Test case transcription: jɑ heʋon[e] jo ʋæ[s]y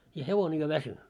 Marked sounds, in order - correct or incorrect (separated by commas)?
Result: correct, correct